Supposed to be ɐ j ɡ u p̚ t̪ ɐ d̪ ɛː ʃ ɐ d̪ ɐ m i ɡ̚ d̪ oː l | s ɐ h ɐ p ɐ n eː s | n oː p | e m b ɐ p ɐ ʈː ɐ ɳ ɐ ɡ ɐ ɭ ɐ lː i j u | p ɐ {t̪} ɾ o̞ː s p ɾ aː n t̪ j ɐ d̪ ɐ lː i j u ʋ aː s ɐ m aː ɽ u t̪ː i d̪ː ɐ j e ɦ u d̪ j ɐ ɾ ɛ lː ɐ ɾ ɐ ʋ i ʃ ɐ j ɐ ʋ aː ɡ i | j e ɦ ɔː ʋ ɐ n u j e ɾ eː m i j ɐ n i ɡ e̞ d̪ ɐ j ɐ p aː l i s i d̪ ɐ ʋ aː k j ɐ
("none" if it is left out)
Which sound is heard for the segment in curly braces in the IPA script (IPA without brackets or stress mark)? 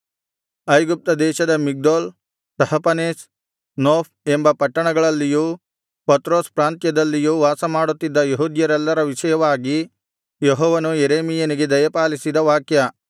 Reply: t̪